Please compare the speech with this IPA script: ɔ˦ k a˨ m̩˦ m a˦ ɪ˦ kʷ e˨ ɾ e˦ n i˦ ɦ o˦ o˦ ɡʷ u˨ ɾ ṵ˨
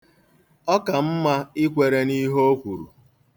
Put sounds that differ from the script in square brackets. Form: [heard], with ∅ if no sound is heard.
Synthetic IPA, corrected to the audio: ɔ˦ k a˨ m̩˦ m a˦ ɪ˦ kʷ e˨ ɾ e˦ n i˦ ɦ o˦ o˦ [kʷ] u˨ ɾ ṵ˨